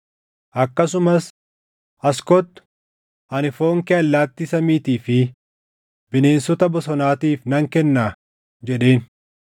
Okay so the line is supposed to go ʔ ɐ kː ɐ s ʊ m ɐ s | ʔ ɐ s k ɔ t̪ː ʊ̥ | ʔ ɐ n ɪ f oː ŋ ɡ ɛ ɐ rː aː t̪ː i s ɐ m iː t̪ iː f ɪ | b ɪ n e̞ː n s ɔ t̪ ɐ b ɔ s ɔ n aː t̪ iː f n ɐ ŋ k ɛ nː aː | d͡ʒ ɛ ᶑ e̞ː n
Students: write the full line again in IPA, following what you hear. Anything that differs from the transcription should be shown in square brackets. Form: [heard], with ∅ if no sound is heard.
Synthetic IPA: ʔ ɐ kː ɐ s ʊ m ɐ s | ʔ ɐ s k ɔ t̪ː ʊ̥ | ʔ ɐ n ɪ f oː ŋ [k] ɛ ɐ [lː] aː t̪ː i s ɐ m iː t̪ iː f ɪ | b ɪ n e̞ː n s ɔ t̪ ɐ b ɔ s ɔ n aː t̪ iː f n ɐ ŋ k ɛ nː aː | d͡ʒ ɛ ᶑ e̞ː n